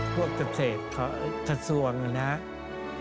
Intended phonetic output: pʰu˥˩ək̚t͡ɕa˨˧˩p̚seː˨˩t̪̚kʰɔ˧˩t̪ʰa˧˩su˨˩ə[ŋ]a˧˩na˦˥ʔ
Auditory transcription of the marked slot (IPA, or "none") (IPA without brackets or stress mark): ŋ